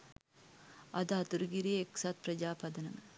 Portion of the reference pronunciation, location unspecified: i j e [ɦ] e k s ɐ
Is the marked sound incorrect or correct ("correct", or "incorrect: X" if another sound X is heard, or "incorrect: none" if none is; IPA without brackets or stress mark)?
incorrect: none